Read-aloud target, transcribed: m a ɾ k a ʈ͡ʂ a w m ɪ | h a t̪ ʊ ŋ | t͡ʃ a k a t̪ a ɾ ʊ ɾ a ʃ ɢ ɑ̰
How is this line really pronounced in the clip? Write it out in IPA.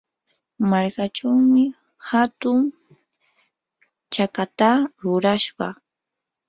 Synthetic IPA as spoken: m a ɾ k a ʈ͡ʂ a w m ɪ | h a t̪ ʊ ŋ | t͡ʃ a k a t̪ a ɾ ʊ ɾ a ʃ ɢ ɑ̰